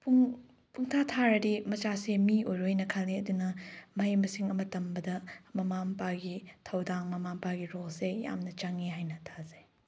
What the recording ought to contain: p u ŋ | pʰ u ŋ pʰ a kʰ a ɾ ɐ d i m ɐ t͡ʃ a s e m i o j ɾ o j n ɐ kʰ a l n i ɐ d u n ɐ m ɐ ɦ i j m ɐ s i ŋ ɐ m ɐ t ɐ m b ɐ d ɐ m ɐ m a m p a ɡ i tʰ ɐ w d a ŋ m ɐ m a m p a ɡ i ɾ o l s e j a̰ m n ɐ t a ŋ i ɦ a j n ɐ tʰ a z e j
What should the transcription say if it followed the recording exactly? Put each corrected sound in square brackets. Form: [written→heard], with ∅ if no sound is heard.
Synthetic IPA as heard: p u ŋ | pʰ u ŋ [pʰ→tʰ] a [kʰ→tʰ] a ɾ ɐ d i m ɐ t͡ʃ a s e m i o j ɾ o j n ɐ kʰ a l n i ɐ d u n ɐ m ɐ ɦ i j m ɐ s i ŋ ɐ m ɐ t ɐ m b ɐ d ɐ m ɐ m a m p a ɡ i tʰ ɐ w d a ŋ m ɐ m a m p a ɡ i ɾ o l s e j a̰ m n ɐ [t→t͡ʃ] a ŋ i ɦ a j n ɐ tʰ a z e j